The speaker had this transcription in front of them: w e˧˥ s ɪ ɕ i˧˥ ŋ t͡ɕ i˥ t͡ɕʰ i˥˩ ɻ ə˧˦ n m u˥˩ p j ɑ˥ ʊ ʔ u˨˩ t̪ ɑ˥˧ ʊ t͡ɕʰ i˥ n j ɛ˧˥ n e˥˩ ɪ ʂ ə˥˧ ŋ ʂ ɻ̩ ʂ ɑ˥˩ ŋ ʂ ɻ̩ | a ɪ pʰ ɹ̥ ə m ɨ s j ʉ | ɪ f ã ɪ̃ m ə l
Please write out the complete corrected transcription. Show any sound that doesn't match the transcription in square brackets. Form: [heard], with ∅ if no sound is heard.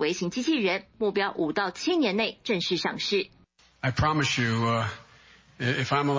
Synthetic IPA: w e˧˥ [∅] ɪ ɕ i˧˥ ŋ t͡ɕ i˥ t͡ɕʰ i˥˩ ɻ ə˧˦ n m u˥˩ p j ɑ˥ ʊ ʔ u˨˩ t̪ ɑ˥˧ ʊ t͡ɕʰ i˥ n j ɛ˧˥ n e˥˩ ɪ [ʈ͡ʂ] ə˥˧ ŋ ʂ ɻ̩ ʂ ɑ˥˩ ŋ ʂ ɻ̩ | a ɪ pʰ ɹ̥ [ɑ] m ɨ s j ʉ | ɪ f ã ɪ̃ m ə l